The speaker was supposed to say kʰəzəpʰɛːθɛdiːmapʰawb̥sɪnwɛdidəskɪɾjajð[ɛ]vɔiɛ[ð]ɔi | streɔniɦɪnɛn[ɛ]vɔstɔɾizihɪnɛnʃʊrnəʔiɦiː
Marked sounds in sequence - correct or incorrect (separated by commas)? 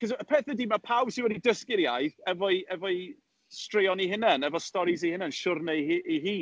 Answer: correct, incorrect, correct